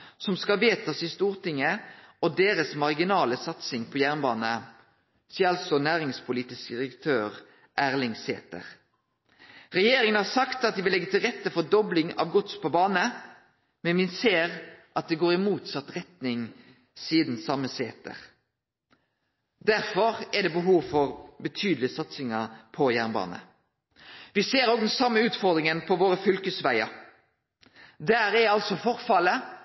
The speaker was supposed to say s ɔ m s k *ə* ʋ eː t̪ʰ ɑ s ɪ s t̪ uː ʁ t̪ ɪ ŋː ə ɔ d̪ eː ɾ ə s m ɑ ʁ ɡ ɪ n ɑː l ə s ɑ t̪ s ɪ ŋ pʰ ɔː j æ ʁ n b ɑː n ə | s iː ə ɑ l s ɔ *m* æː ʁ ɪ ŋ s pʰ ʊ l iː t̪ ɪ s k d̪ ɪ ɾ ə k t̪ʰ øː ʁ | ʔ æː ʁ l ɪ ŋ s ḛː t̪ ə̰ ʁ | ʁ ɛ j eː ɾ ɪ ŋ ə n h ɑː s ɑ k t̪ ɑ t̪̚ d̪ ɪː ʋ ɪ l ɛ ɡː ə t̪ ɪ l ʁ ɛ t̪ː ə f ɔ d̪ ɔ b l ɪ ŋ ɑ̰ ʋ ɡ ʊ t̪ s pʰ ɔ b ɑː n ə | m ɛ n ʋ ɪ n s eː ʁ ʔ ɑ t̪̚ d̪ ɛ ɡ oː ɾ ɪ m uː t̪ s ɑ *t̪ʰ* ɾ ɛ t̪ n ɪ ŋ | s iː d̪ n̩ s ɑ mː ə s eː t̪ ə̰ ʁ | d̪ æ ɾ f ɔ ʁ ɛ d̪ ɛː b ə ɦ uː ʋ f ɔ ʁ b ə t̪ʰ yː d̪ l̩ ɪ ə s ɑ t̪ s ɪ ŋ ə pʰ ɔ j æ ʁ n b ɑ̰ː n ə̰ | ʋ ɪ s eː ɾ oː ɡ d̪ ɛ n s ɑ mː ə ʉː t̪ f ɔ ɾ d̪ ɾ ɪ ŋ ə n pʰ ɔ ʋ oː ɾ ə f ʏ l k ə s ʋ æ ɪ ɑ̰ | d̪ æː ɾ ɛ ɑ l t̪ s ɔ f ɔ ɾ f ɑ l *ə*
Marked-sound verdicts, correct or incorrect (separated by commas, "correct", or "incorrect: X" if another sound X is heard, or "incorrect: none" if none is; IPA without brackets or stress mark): incorrect: ɑ, incorrect: n, incorrect: t̪, correct